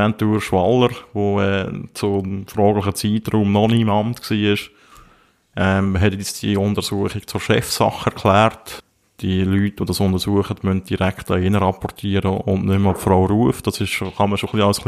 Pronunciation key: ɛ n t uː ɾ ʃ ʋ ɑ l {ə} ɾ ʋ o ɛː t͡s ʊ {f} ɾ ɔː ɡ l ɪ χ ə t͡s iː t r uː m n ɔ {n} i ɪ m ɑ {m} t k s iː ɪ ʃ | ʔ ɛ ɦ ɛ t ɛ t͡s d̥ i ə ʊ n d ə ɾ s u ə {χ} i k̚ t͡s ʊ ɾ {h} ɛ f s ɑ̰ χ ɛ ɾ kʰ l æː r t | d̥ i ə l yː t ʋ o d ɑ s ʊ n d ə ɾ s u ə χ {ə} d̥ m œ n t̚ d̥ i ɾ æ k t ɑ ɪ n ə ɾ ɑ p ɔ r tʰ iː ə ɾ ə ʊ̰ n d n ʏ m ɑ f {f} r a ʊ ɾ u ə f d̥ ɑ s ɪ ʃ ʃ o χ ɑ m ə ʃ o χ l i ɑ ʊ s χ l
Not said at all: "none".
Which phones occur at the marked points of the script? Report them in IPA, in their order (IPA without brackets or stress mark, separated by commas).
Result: ə, f, n, m, χ, ʃ, ə, f